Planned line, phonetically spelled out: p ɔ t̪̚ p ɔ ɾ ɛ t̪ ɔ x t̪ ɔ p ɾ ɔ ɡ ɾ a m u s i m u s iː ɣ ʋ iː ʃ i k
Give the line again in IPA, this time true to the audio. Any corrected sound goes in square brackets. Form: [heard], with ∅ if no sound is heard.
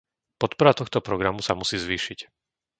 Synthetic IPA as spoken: p ɔ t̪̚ p ɔ ɾ [a] t̪ ɔ x t̪ ɔ p ɾ ɔ ɡ ɾ a m u s [a] m u s iː [z] ʋ iː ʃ i [c]